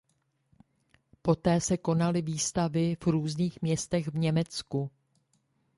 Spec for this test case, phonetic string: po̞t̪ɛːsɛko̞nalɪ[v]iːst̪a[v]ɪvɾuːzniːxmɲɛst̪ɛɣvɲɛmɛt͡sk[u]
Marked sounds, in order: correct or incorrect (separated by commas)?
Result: correct, correct, correct